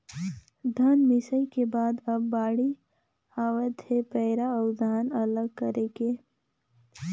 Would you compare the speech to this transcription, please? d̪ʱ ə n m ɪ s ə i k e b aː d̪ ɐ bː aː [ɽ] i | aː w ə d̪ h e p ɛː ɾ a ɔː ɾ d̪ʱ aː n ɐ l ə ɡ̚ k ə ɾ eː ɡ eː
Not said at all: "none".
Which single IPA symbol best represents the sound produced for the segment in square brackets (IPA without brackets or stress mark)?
ɽ